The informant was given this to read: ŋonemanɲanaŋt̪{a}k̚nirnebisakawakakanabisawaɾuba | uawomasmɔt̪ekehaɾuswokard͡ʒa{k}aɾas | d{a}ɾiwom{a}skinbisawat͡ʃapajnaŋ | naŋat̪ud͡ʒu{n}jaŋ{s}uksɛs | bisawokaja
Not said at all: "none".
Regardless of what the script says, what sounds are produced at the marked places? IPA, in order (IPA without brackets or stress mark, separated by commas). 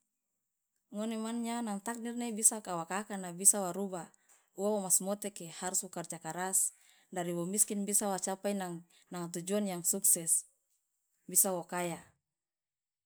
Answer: a, k, a, i, n, s